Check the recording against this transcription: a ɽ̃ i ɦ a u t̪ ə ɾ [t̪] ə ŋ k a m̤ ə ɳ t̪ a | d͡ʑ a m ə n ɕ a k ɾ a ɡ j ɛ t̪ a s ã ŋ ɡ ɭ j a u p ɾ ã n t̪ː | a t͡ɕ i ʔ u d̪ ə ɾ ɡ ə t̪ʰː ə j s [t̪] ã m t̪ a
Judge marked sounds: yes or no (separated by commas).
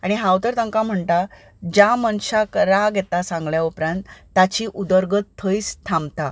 yes, no